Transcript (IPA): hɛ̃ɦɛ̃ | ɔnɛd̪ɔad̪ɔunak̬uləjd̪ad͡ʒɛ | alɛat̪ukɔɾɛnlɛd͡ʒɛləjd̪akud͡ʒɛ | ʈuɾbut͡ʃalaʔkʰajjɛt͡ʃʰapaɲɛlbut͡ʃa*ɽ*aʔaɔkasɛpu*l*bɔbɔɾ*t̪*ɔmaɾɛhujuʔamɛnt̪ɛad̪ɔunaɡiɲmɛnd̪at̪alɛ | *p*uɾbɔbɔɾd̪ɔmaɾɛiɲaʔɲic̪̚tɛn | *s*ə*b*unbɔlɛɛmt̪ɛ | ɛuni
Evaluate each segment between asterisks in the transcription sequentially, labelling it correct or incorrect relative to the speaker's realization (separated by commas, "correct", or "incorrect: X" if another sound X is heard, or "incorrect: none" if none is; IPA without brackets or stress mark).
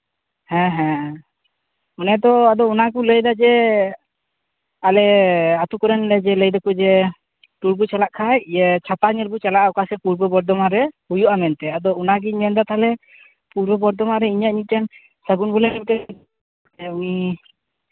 incorrect: l, incorrect: ɾ, incorrect: d̪, correct, correct, incorrect: ɡ